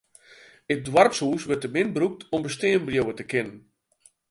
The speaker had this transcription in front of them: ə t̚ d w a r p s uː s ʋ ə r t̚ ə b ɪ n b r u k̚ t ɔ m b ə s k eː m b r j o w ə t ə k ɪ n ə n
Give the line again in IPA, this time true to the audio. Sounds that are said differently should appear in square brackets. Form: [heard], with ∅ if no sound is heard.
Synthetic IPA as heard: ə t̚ d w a r p s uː s ʋ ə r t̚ ə [m] ɪ n b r u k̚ t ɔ m b ə s [t] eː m b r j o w ə t ə k ɪ n ə n